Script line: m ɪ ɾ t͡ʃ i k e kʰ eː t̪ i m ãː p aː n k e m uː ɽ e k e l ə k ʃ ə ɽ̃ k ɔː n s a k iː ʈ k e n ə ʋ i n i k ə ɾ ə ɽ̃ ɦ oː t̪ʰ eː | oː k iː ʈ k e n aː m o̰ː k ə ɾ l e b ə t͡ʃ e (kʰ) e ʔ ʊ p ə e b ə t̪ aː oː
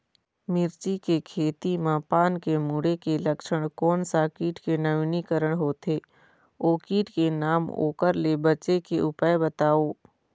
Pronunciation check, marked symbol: incorrect: k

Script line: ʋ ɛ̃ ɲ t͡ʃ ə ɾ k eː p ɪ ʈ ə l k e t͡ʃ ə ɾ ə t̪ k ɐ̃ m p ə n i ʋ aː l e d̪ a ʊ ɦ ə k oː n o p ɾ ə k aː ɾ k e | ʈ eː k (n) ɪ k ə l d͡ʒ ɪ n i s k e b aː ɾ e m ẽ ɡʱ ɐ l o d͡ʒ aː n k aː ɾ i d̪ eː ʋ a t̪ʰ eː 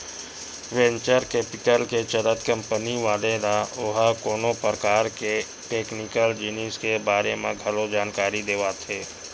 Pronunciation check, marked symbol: correct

